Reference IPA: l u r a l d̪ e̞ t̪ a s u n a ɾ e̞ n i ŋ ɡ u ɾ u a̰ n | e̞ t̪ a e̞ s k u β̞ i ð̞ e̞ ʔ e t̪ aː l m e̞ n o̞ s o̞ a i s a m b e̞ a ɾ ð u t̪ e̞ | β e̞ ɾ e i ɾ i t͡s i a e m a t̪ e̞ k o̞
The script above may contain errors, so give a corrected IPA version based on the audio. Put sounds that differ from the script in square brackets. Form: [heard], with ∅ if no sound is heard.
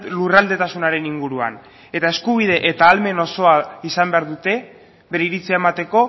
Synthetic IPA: l u r a l d̪ e̞ t̪ a s u n a ɾ e̞ n i ŋ ɡ u ɾ u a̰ n | e̞ t̪ a e̞ s k u β̞ i ð̞ e̞ ʔ e t̪ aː l m e̞ n o̞ s o̞ a i s a m b e̞ a ɾ ð u t̪ e̞ | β e̞ ɾ e i ɾ i t͡s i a e m a t̪ e̞ k o̞